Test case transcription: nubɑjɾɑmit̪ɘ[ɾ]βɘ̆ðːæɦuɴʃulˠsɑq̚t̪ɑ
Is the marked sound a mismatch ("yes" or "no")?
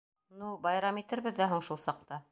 no